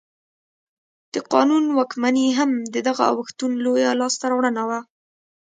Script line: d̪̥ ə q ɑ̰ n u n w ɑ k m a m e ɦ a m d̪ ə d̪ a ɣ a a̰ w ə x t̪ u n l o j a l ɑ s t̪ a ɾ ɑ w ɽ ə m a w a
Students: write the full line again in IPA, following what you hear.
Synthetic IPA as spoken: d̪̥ ə q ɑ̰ n u n w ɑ k m a n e ɦ a m d̪ ə d̪ a ɣ a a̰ w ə x t̪ u n l o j a l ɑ s t̪ a ɾ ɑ w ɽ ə n a w a

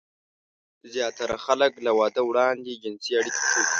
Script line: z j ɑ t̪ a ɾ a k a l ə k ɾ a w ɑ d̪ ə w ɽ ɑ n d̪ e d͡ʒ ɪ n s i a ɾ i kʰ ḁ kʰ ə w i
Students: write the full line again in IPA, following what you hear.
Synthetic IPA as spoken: z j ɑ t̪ a ɾ a x a l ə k l a w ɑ d̪ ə w ɽ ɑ n d̪ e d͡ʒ ɪ n s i a ɽ i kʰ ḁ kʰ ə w i

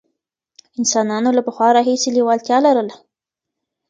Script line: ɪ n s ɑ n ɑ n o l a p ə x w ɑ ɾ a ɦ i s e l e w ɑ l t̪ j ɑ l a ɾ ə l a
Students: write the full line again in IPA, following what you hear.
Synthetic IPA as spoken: ɪ n s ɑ n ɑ n o l a p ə x w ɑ ɾ ɑ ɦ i s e l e w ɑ l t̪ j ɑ l a ɾ ə l a

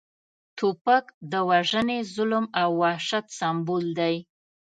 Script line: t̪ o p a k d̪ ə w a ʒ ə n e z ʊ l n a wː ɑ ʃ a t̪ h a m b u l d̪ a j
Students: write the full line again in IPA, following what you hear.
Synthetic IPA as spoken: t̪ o p a k d̪ ə w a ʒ ə n e z ʊ l m a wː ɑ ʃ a t̪ s a m b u l d̪ a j

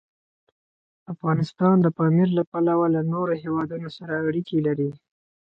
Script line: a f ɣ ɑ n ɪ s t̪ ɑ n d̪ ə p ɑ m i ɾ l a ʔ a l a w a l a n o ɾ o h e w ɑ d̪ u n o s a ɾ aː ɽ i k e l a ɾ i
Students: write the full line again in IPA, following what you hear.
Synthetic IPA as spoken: a f ɣ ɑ n ɪ s t̪ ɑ n d̪ ə p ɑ m i ɾ l a p a l a w a l a n o ɾ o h e w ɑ d̪ u n o s a ɾ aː ɽ i k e l a ɾ i

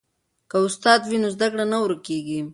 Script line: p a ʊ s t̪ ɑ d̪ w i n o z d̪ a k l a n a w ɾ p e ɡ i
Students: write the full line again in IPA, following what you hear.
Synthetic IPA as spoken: k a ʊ s t̪ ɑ d̪ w i n o z d̪ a k ɽ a n a w ɾ k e ɡ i

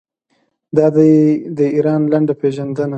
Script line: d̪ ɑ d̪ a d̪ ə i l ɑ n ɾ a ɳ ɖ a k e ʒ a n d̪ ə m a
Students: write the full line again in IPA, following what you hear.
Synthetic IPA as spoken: d̪ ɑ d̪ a d̪ ə i ɾ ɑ n l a ɳ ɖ a p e ʒ a n d̪ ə n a

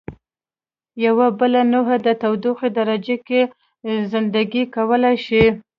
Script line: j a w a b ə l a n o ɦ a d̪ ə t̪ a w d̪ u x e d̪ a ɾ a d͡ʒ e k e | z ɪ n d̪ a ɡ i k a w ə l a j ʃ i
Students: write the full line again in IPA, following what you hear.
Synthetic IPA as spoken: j a w a b ə l a n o ɦ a d̪ ə t̪ a w d̪ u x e d̪ a ɾ a d͡ʒ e k e | z ɪ n d̪ a ɡ i k a w ə l a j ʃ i

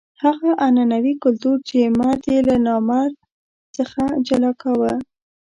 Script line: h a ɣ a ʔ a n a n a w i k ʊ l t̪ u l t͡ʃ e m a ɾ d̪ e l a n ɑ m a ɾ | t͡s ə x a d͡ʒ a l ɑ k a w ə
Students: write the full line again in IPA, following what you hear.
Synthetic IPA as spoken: h a ɣ a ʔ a n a n a w i k ʊ l t̪ u ɾ t͡ʃ e m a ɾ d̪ e l a n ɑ m a ɾ | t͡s ə x a d͡ʒ a l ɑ k a w ə

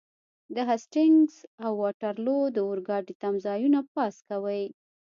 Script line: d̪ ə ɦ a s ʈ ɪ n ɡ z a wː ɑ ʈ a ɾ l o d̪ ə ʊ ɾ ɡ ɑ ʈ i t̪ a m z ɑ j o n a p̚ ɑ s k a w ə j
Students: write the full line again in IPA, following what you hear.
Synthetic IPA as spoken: d̪ ə ɦ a s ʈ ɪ ŋ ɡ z a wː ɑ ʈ a ɾ l o d̪ ə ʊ ɾ ɡ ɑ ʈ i t̪ a m z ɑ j u n a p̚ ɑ s k a w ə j

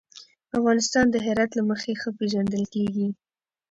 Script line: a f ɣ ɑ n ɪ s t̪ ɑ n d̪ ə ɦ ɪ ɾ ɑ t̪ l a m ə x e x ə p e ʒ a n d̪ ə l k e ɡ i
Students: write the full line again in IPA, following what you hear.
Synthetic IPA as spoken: a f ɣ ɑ n ɪ s t̪ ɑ n d̪ ə ɦ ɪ ɾ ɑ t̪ l a m ə x e x ə p e ʒ a n d̪ ə l k e ɡ i

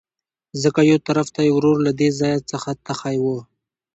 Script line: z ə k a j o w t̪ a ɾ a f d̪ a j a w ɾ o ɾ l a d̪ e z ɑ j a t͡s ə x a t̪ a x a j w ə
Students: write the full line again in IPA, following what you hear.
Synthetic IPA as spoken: z ə k a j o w t̪ a ɾ a f t̪ a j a w ɾ o ɾ l a d̪ e z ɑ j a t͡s ə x a t̪ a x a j w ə

